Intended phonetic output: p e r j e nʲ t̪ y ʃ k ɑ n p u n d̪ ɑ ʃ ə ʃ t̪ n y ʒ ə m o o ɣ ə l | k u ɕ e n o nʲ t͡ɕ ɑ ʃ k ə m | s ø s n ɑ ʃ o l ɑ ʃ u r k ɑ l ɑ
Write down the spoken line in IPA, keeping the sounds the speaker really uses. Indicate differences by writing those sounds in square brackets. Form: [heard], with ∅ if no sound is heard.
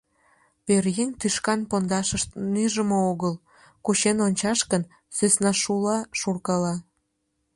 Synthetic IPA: p e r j e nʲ t̪ y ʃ k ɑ n p [o] n d̪ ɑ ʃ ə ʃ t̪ n y ʒ ə m o o ɣ ə l | k u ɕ e n o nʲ t͡ɕ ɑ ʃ k ə [n] | s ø s n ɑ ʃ [u] l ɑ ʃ u r k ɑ l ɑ